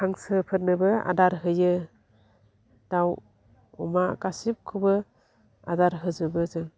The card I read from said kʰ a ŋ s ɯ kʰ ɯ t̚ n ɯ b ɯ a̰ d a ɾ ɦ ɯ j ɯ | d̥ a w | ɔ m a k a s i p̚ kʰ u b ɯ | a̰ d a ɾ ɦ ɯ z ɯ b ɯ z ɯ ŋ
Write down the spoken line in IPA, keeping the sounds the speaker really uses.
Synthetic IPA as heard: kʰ a ŋ s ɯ pʰ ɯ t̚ n ɯ b ɯ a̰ d a ɾ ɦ ɯ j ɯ | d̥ a w | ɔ m a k a s i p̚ kʰ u b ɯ | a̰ d a ɾ ɦ ɯ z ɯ b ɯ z ɯ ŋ